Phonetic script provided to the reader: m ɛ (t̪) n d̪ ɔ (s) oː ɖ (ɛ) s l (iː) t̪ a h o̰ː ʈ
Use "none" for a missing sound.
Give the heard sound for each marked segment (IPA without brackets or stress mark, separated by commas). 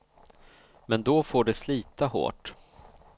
none, f, ɛ, iː